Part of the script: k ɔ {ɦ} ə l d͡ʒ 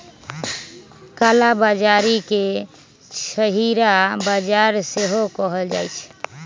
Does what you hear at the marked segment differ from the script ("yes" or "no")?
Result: no